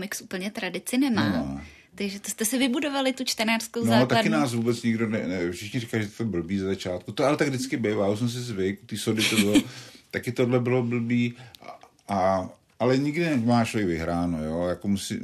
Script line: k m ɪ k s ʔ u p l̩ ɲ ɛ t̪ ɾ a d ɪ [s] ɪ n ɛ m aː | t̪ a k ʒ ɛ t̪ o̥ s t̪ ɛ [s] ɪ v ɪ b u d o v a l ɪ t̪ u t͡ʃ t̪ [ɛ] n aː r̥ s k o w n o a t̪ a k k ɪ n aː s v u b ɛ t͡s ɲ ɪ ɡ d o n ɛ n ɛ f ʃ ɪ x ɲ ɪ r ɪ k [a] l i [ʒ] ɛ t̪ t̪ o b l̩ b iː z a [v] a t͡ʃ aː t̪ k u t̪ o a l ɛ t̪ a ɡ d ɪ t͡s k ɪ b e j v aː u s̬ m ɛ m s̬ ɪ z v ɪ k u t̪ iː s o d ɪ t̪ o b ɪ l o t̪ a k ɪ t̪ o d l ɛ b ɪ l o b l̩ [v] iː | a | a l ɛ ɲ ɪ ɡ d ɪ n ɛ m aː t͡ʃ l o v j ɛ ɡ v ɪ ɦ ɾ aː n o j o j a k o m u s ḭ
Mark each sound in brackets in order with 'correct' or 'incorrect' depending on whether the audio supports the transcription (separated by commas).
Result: incorrect, correct, correct, correct, correct, incorrect, incorrect